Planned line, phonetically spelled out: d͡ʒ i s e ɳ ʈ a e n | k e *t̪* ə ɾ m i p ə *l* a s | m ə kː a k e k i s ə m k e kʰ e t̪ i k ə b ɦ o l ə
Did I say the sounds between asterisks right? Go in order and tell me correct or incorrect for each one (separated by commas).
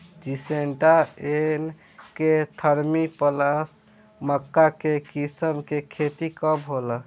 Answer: incorrect, correct